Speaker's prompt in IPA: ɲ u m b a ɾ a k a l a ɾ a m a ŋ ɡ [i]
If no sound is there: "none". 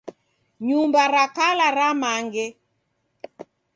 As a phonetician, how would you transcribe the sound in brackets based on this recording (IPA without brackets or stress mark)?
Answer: ɛ